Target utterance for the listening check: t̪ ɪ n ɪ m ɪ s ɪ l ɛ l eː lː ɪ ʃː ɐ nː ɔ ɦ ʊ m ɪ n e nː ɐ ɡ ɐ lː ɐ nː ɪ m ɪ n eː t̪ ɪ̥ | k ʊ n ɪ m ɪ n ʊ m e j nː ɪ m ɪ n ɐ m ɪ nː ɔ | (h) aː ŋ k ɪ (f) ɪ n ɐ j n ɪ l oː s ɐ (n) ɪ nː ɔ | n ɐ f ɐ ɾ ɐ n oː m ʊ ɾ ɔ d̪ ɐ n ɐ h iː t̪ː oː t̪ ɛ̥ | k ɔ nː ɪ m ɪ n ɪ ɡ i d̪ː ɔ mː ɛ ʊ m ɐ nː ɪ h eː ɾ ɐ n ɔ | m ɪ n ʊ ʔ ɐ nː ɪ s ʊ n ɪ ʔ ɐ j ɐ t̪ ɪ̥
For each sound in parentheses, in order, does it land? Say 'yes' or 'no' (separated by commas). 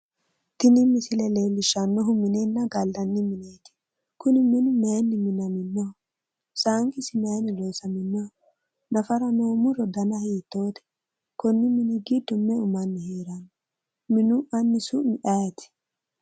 no, no, no